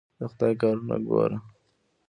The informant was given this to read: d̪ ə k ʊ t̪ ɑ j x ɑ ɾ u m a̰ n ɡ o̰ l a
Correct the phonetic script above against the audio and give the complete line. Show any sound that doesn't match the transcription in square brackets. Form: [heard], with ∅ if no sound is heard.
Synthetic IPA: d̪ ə [x] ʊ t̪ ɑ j [k] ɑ ɾ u [n] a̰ [∅] ɡ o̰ [ɾ] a